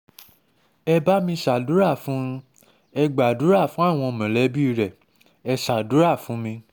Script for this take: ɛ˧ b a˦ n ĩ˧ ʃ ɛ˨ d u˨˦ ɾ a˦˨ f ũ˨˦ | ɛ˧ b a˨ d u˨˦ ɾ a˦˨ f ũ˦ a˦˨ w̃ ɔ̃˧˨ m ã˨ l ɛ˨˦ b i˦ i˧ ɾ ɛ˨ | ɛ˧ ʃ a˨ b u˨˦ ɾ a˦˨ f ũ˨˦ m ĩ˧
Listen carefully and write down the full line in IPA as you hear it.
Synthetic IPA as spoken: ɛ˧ b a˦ m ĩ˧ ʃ a˨ d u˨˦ ɾ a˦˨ f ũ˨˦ | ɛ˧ ɡ͡b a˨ d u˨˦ ɾ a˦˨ f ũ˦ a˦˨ w̃ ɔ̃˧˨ m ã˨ l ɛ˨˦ b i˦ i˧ ɾ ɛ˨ | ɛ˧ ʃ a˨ d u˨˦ ɾ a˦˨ f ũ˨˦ m ĩ˧